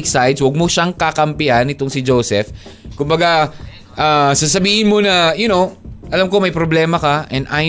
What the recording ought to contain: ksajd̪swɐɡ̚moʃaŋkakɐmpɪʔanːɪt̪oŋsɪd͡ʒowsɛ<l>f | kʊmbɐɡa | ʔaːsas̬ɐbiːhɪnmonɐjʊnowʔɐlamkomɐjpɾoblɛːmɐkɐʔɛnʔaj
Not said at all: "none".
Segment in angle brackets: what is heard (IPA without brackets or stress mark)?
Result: none